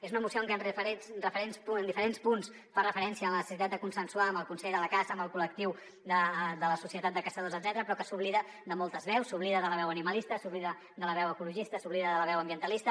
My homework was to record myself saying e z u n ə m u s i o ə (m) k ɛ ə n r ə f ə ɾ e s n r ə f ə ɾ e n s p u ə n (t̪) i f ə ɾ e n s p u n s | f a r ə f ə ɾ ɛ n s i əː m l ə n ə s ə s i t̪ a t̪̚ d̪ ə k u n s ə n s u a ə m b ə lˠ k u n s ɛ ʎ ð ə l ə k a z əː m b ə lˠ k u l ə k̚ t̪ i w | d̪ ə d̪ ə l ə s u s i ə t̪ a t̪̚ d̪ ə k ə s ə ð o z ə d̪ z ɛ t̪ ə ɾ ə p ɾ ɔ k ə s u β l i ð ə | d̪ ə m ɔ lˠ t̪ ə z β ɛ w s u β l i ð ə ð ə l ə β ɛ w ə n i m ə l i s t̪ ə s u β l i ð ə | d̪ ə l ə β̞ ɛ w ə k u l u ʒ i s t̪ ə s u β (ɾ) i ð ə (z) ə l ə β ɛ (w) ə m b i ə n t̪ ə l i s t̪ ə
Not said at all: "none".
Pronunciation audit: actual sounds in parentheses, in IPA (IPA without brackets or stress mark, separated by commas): ŋ, d̪, l, ð, w